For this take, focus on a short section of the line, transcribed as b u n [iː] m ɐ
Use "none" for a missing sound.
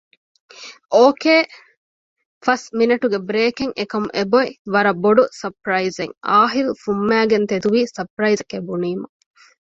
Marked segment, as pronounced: iː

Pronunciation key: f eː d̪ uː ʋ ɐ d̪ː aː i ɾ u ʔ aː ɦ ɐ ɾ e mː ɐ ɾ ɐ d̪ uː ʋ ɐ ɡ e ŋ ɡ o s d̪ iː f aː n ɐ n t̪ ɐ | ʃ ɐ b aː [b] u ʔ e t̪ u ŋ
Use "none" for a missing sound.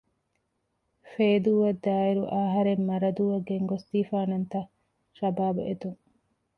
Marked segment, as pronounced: b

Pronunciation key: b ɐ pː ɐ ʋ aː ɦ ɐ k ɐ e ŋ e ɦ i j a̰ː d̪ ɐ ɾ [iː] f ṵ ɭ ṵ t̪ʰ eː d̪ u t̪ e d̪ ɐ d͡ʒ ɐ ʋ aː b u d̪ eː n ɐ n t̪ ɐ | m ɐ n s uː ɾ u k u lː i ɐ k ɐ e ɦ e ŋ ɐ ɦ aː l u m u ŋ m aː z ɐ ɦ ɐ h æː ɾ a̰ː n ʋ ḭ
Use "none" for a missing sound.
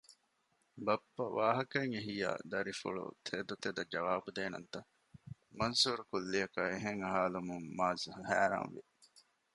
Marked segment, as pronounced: i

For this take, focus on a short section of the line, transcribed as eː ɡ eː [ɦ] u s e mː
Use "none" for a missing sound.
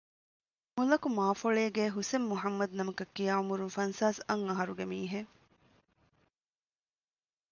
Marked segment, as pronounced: ɦ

